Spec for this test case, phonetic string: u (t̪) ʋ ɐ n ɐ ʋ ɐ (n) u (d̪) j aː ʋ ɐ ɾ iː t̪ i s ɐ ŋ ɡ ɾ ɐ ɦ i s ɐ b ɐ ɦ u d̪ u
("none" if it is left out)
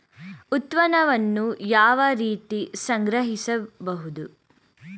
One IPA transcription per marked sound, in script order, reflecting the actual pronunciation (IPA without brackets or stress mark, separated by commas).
t̪, nː, none